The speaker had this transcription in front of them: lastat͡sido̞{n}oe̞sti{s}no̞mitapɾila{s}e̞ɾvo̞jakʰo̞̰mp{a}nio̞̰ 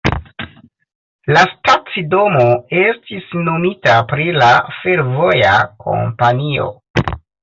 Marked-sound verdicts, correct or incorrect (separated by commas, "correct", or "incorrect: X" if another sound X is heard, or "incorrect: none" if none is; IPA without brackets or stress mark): incorrect: m, correct, incorrect: f, correct